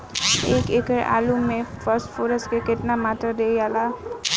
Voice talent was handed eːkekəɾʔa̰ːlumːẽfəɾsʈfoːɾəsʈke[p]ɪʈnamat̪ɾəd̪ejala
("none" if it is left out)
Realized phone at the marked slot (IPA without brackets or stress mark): k